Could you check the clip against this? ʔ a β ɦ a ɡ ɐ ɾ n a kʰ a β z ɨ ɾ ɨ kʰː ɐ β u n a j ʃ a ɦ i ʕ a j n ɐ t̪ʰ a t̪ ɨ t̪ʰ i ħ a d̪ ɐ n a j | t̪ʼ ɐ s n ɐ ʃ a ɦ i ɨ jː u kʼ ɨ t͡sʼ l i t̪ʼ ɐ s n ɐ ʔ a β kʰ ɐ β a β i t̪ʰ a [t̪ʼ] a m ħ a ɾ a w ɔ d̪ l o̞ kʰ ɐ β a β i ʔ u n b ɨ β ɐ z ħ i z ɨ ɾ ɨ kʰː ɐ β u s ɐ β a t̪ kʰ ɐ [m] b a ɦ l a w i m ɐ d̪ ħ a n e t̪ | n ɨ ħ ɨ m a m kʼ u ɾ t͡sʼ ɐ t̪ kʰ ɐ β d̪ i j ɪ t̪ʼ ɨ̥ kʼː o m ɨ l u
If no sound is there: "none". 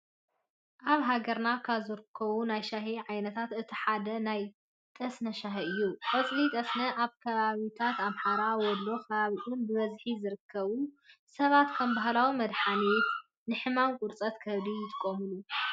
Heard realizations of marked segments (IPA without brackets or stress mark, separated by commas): t̪, m